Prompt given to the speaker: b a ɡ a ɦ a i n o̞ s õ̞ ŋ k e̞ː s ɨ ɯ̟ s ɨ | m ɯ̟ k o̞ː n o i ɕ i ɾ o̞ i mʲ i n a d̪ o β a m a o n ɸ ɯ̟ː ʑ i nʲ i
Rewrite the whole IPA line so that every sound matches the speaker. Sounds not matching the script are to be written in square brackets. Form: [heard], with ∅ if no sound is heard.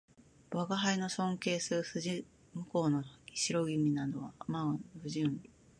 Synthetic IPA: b a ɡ a ɦ a i n o̞ s õ̞ ŋ k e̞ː s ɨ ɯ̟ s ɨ | m ɯ̟ k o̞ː n o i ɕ i ɾ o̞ i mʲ i n a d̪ o β a m a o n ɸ [ɯ̟] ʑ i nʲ i